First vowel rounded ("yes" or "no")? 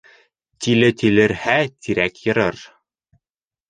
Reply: no